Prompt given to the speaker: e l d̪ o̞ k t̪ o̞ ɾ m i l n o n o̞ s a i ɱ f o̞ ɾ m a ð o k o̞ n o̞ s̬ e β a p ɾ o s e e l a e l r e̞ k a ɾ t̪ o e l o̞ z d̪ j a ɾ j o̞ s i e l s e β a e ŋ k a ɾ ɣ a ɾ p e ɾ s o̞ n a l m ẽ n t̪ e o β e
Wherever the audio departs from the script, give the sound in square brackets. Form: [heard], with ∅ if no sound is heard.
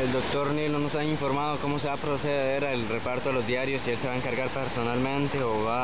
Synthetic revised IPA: e l d̪ o̞ k t̪ o̞ ɾ [n] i l n o n o̞ s a i ɱ f o̞ ɾ m a ð o k o̞ [m] o̞ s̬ e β a p ɾ o s e e [ɾ] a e l r e̞ [p] a ɾ t̪ o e l o̞ z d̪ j a ɾ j o̞ s i e l s e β a e ŋ k a ɾ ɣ a ɾ p e ɾ s o̞ n a l m ẽ n t̪ e o β [a]